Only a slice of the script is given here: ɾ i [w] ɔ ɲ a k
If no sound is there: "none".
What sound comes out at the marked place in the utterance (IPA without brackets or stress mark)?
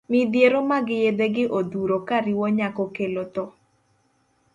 w